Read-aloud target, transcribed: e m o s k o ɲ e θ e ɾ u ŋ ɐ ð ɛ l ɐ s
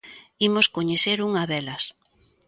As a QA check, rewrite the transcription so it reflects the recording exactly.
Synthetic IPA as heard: i m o s k o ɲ e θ e ɾ u ŋ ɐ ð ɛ l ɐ s